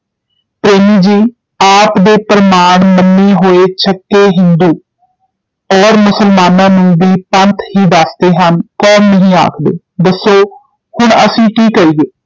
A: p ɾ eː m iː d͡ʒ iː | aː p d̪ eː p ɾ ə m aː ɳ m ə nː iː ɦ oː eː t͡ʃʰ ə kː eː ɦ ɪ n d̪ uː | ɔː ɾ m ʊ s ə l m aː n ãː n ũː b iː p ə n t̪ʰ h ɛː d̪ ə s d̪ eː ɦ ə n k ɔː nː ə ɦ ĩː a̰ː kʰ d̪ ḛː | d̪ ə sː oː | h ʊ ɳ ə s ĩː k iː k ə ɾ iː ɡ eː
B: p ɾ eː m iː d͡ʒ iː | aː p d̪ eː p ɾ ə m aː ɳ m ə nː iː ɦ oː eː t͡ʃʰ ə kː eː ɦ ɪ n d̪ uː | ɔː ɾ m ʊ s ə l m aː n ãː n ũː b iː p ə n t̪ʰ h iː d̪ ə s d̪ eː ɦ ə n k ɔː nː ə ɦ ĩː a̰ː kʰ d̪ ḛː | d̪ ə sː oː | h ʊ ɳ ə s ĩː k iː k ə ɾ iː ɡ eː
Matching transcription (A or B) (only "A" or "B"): B